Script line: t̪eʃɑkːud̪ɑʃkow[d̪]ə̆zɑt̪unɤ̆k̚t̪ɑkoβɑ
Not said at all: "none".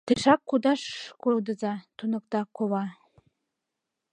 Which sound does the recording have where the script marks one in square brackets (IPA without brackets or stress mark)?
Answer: d̪